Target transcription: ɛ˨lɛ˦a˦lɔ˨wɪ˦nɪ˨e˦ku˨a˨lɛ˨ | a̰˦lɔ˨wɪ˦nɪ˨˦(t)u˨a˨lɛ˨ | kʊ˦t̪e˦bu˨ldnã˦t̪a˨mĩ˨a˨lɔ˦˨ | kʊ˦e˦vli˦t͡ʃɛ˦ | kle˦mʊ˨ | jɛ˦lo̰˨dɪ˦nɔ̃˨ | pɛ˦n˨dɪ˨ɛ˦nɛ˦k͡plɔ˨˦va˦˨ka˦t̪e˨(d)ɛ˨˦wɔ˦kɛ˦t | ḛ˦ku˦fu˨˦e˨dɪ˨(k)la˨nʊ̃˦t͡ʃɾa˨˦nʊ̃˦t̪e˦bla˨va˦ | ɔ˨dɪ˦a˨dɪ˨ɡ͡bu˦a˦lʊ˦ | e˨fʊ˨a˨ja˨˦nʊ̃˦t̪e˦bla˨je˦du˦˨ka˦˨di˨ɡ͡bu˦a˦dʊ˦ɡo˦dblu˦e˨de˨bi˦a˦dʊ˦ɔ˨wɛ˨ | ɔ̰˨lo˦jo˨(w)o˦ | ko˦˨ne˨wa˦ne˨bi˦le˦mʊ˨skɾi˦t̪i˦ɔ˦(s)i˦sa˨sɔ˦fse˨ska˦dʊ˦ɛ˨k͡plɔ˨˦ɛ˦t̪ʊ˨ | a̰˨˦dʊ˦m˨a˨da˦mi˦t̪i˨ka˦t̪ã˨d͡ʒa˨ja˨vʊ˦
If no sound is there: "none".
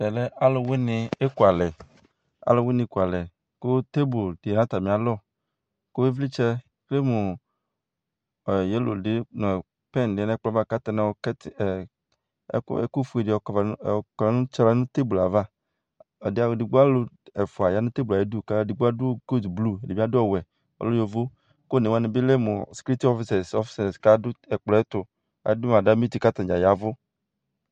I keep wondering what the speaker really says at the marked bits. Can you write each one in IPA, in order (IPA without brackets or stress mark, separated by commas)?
k, n, k, v, f